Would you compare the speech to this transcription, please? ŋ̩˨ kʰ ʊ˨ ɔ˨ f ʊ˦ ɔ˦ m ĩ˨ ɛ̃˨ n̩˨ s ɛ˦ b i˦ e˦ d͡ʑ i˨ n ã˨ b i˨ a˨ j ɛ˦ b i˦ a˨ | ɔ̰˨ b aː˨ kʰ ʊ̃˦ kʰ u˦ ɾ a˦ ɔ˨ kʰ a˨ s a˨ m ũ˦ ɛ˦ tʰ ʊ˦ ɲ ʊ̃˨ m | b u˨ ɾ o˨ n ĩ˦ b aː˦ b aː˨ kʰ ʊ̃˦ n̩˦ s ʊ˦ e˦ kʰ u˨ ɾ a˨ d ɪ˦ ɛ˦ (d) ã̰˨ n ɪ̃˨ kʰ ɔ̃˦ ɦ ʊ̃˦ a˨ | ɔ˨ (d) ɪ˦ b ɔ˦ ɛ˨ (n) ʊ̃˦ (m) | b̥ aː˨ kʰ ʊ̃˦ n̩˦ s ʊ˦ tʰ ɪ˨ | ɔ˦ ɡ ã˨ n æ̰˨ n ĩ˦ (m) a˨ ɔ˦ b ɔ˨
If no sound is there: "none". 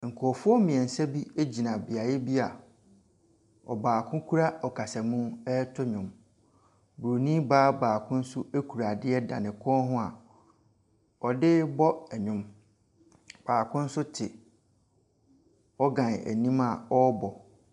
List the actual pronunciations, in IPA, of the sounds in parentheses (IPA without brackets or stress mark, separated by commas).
d, d, ɲ, m, m